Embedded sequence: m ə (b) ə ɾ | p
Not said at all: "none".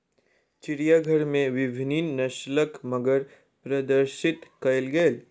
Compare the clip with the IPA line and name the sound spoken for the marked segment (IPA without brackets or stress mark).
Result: ɡ